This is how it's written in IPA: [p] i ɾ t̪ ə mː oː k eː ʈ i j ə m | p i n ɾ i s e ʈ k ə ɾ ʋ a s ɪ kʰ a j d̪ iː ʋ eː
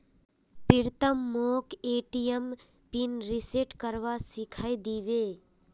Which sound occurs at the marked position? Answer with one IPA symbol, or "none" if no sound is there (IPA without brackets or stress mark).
p